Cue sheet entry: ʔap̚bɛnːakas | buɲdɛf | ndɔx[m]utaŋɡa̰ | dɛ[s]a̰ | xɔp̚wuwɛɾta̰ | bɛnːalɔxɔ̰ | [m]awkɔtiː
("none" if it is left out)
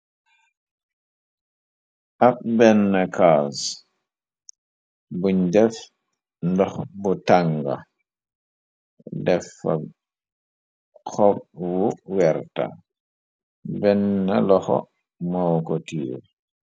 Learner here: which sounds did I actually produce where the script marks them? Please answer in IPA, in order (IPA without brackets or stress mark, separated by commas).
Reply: b, f, m